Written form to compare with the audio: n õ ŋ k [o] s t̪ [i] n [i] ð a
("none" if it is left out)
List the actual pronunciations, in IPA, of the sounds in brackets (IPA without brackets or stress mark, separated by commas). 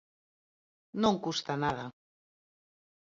u, a, a